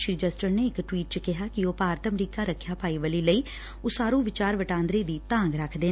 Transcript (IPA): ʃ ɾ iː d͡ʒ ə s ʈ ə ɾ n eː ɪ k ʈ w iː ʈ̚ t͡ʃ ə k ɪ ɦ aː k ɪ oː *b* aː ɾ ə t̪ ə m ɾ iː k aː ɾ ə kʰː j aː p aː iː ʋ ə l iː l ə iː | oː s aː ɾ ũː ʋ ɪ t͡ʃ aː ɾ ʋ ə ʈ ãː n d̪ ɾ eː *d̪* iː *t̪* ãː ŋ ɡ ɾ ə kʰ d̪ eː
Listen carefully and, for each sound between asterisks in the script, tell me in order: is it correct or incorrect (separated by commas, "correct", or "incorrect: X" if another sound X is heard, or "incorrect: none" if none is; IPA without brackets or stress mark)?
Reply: incorrect: p, correct, correct